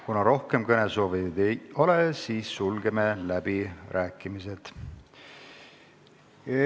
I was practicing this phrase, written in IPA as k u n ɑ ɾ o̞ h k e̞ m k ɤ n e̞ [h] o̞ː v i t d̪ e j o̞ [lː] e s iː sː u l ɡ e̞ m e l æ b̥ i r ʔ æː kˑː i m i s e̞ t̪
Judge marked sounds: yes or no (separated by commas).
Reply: no, no